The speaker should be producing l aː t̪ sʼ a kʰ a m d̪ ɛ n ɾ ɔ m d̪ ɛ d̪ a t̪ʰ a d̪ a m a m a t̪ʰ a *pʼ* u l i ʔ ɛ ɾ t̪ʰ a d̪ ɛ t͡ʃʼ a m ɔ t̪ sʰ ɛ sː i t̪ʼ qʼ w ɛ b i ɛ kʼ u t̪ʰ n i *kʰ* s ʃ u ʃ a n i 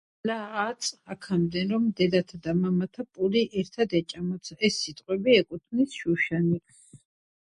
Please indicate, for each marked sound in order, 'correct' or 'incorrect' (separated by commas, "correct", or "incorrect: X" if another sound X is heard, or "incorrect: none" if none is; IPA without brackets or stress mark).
correct, incorrect: none